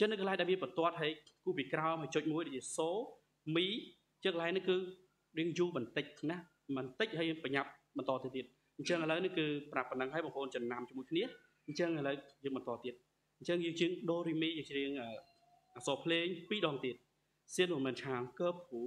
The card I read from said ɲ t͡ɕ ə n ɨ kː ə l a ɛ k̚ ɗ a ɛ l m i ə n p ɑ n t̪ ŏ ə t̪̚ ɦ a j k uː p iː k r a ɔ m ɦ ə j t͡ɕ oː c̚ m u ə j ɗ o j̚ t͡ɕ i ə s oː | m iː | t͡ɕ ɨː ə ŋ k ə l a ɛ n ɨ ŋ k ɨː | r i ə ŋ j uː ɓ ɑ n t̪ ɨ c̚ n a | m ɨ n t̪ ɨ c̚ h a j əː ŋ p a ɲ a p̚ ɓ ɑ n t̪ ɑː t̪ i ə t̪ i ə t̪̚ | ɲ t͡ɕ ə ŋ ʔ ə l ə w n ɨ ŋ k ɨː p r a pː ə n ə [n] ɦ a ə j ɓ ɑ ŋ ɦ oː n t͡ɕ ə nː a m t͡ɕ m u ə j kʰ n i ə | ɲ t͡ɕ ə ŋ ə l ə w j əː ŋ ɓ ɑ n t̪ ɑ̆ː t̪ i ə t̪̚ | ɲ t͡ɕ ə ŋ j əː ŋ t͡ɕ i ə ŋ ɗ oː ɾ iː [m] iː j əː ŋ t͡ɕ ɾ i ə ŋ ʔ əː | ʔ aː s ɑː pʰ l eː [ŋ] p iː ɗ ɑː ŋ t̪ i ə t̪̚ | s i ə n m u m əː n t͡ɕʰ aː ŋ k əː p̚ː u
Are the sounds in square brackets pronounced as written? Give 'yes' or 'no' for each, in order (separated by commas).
no, yes, yes